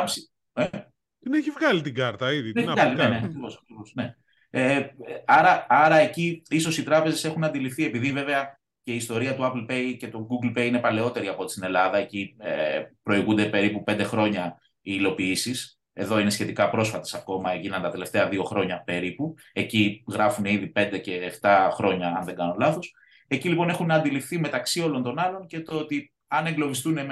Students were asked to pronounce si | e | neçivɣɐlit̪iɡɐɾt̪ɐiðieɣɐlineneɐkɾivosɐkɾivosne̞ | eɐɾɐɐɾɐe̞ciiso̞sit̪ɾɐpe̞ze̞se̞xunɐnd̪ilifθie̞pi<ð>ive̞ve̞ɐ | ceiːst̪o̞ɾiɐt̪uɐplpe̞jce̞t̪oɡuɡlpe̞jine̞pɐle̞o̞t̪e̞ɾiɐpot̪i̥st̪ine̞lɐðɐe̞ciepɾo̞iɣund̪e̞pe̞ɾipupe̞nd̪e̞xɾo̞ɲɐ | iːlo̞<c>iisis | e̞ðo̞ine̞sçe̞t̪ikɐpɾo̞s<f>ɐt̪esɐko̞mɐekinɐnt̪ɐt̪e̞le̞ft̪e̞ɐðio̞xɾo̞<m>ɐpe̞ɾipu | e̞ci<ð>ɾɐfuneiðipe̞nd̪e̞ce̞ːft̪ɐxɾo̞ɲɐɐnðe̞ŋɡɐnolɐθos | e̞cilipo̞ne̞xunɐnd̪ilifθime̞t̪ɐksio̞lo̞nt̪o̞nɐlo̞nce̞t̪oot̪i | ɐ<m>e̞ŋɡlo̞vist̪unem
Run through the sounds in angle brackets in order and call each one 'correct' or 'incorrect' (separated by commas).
correct, incorrect, correct, incorrect, incorrect, incorrect